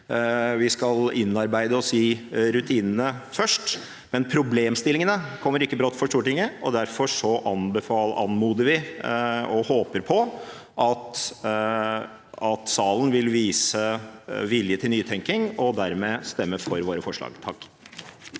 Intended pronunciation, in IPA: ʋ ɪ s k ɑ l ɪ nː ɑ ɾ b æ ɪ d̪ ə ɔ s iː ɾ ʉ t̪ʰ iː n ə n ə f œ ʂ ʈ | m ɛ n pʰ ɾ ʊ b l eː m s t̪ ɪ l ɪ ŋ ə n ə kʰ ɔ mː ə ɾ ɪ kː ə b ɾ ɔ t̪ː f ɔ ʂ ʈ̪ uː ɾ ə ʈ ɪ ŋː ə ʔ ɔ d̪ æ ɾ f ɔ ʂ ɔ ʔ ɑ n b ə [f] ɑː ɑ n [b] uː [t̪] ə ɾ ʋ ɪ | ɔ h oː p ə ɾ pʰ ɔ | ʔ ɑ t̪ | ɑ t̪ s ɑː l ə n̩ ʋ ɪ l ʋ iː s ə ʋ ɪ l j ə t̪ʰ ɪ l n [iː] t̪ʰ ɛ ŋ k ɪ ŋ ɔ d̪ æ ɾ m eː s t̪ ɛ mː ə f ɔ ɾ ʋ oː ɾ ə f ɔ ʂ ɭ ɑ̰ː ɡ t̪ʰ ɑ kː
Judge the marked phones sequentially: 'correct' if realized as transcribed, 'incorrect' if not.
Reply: correct, incorrect: m, incorrect: d̪, incorrect: yː

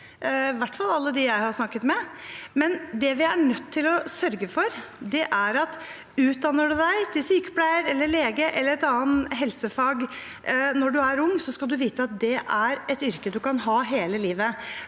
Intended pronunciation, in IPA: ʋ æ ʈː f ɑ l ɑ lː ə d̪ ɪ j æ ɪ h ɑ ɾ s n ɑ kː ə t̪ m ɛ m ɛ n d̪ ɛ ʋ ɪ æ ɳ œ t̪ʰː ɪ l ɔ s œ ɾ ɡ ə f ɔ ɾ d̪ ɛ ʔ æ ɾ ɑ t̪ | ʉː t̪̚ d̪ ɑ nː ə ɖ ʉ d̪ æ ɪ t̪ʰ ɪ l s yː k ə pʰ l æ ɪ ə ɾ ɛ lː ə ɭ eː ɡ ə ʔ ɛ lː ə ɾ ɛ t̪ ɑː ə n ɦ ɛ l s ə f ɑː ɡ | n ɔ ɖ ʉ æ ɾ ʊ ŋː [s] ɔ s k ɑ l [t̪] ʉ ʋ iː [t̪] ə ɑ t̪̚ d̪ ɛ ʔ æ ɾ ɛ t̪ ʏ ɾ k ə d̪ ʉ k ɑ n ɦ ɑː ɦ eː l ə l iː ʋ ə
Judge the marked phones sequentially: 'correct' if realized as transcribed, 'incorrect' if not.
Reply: correct, incorrect: d̪, correct

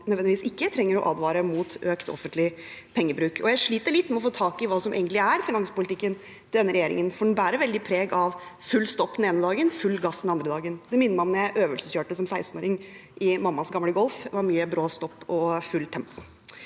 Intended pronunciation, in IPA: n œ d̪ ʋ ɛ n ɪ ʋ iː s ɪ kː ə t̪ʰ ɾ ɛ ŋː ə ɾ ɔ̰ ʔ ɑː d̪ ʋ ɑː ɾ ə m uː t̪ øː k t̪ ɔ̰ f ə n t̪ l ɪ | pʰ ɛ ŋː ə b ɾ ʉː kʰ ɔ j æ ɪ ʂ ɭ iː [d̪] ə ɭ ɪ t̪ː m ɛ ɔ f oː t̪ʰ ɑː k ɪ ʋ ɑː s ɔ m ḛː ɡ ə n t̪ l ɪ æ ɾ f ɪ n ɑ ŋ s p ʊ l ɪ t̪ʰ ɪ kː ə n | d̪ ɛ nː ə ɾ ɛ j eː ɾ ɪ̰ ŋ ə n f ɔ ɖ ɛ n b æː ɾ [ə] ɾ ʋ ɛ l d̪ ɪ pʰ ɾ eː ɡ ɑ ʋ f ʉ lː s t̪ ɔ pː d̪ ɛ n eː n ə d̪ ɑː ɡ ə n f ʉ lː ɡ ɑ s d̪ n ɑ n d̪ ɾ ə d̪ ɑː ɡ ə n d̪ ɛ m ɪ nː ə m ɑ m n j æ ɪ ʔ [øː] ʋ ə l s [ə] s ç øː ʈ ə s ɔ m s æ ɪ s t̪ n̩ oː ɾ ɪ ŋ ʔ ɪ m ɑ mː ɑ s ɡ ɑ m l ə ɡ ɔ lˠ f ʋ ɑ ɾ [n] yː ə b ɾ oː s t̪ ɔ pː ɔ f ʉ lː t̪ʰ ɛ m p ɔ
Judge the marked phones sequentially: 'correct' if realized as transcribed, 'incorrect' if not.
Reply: incorrect: t̪, correct, correct, correct, incorrect: m

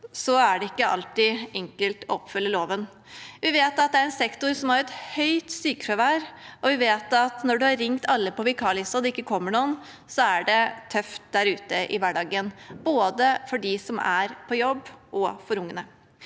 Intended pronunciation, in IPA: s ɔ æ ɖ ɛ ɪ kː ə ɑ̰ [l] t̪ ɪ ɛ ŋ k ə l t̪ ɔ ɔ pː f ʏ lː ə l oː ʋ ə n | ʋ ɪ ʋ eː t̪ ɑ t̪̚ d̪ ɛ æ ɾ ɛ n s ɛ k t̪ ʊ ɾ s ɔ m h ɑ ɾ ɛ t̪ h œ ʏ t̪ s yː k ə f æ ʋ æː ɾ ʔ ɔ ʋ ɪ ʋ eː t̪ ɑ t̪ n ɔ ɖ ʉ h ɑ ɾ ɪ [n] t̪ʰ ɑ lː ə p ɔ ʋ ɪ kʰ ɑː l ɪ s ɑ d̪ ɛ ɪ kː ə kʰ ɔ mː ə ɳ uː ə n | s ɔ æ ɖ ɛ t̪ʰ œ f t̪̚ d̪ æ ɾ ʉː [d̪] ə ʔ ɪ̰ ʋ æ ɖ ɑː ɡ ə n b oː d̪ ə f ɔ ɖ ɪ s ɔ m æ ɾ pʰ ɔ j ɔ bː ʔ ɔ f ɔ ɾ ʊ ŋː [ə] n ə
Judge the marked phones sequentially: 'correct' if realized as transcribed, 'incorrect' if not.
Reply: correct, incorrect: ŋ, incorrect: t̪, correct

